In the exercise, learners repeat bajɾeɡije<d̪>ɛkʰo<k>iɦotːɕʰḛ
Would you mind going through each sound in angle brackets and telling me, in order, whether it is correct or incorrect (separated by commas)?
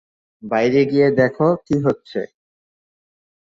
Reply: correct, correct